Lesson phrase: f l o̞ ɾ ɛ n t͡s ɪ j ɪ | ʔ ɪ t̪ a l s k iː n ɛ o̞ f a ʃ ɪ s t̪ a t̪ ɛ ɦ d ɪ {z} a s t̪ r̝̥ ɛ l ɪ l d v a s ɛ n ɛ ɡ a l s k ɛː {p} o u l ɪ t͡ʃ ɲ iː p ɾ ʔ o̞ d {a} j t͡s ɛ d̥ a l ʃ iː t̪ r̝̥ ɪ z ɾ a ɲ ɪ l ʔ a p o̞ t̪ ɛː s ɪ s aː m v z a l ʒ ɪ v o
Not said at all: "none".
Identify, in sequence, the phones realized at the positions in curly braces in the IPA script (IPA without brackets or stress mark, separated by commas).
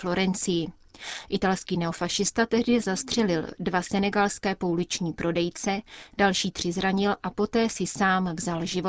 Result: z, p, ɛ